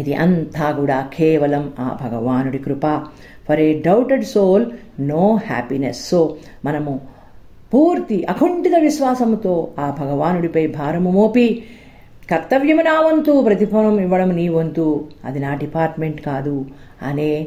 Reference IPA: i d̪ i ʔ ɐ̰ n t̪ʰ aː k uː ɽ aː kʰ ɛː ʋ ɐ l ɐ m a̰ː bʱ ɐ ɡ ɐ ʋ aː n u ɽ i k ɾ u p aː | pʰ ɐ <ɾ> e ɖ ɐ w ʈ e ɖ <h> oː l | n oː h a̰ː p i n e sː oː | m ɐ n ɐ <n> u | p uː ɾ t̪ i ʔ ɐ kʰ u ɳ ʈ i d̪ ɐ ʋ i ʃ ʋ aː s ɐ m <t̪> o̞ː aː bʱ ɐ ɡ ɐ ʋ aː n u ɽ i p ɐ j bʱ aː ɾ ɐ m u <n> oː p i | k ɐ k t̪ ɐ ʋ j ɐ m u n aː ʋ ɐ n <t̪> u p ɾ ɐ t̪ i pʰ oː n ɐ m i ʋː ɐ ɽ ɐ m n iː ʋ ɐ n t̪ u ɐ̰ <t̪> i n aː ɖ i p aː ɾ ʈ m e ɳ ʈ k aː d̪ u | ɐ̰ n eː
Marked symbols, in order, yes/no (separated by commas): yes, no, no, yes, no, yes, no